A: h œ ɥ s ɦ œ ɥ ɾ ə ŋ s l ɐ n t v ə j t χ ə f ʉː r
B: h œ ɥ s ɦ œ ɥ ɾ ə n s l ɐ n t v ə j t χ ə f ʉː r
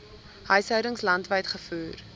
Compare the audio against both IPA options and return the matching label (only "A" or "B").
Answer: A